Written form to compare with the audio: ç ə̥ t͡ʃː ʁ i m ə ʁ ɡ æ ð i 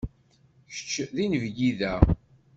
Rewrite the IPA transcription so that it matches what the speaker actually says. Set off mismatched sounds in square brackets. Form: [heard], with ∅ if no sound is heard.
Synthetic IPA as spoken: ç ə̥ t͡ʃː [ð] i [n] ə [v] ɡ [i] ð [æ]